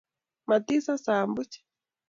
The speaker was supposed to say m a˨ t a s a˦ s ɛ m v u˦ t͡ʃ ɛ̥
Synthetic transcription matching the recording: m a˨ t i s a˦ s a m b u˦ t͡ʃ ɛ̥